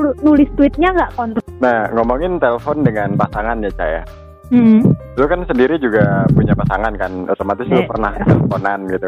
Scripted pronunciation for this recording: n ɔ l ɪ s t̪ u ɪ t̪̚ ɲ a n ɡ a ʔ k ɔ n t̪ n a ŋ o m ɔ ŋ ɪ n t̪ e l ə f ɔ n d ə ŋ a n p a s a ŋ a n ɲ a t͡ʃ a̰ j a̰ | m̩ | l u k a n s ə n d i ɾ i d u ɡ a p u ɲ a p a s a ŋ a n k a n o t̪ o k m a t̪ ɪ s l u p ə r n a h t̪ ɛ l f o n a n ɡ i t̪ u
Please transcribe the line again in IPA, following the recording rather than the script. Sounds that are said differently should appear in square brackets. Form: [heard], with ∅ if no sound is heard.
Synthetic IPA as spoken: n [u] l ɪ s t̪ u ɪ t̪̚ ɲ a [ŋ] ɡ a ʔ k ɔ n t̪ n a ŋ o m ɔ ŋ ɪ n t̪ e l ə f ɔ n d ə ŋ a n p a s a ŋ a n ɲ a t͡ʃ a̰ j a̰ | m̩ | l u k a n s ə n d i ɾ i [d͡ʒ] u ɡ a p u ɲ a p a s a ŋ a n k a n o t̪ o [∅] m a t̪ ɪ s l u p ə r n a h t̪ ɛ l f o n a n ɡ i t̪ u